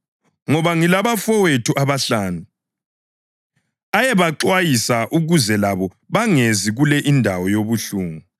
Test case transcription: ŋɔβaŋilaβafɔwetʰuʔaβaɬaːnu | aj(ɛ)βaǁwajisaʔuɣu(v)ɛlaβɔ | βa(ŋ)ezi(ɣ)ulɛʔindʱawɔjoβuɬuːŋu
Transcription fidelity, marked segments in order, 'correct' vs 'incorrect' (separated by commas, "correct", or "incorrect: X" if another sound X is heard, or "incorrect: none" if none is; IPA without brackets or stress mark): correct, incorrect: z, correct, correct